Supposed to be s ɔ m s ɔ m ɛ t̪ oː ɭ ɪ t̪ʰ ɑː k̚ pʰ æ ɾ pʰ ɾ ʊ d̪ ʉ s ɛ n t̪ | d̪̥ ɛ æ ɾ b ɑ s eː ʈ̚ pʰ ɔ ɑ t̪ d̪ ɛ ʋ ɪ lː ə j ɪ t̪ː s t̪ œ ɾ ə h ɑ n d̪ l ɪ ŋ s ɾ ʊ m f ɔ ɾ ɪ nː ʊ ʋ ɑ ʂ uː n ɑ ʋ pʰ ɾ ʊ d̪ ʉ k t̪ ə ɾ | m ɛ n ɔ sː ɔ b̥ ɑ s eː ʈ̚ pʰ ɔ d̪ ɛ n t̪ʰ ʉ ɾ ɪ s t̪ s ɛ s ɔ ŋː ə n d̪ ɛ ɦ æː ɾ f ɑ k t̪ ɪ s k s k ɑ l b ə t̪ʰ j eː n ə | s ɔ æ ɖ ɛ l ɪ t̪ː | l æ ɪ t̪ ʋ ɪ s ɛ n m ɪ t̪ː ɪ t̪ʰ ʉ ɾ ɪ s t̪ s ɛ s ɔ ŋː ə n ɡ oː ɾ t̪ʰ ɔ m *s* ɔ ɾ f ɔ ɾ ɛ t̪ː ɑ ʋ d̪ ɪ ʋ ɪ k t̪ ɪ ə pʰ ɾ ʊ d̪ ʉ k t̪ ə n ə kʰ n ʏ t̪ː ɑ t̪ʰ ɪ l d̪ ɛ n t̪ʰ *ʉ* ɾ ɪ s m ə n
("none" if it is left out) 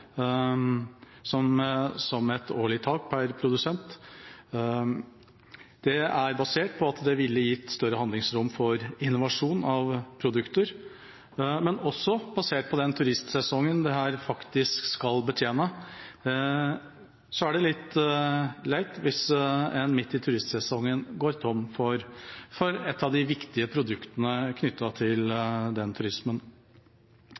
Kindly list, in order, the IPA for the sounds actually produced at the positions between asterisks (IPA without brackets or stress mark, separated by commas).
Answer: f, ʉ